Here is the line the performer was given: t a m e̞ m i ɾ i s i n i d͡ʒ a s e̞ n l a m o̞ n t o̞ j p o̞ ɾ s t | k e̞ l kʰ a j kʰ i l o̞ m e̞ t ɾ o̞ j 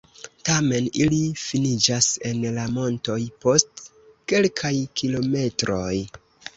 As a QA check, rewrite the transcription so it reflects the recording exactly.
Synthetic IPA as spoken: t a m e̞ n i l i f i n i d͡ʒ a s e̞ n l a m o̞ n t o̞ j p o̞ s t | k e̞ l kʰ a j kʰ i l o̞ m e̞ t ɾ o̞ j